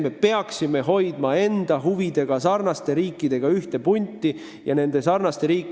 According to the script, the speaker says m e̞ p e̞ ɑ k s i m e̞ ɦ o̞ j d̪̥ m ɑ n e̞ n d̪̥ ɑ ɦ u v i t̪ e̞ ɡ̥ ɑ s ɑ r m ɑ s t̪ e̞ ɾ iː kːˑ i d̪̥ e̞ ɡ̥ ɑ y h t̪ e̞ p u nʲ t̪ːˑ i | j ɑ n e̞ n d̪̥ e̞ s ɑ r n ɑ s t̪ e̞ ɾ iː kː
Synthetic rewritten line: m e̞ p e̞ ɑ k s i m e̞ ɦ o̞ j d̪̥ m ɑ e̞ n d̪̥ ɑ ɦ u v i d̪ e̞ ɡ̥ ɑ s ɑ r n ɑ s t̪ e̞ ɾ iː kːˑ i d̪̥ e̞ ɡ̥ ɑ y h t̪ e̞ p u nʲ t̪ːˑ i | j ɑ n e̞ n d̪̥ e̞ s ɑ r n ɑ s t̪ e̞ ɾ iː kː